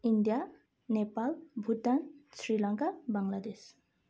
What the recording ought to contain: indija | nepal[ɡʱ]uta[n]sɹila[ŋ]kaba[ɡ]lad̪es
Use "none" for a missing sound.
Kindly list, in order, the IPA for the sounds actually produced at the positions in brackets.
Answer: bʱ, n, ŋ, ŋ

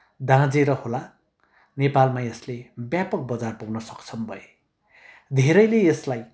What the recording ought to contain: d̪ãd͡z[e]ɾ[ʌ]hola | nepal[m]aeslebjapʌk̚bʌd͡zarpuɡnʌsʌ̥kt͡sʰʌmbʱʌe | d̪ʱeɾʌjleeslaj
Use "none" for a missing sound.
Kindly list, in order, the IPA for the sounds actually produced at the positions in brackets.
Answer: e, ʌ, m

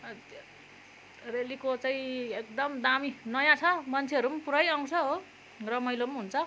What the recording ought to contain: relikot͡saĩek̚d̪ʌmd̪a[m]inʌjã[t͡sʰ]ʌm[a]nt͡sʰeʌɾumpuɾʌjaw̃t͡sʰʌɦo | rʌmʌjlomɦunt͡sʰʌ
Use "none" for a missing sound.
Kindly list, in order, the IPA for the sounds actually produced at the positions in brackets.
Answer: m, t͡sʰ, ʌ

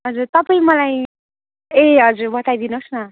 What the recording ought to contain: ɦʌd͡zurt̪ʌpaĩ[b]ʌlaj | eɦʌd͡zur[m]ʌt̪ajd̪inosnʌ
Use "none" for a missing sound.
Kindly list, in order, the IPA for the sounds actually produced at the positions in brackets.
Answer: m, b

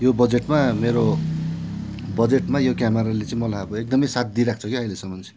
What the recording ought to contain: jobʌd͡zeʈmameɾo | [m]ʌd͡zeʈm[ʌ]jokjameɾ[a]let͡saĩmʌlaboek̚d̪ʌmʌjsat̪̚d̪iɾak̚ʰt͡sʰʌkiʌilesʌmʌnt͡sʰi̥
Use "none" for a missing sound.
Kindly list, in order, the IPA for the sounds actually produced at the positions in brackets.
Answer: b, a, a

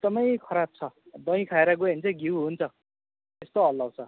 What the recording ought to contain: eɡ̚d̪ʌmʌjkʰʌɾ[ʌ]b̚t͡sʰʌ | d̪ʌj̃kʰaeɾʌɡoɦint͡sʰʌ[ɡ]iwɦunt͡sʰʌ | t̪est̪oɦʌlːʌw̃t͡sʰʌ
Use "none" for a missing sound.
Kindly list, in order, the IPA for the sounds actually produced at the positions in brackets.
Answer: a, ɡ

